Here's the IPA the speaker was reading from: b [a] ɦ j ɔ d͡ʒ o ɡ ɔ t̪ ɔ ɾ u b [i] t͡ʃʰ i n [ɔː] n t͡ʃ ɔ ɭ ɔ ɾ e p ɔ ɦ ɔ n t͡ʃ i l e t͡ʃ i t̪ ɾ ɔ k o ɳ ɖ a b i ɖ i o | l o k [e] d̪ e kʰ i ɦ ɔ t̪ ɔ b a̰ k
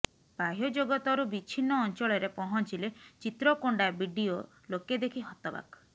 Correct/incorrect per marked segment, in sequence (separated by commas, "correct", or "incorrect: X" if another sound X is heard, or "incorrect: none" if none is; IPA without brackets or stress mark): correct, correct, correct, correct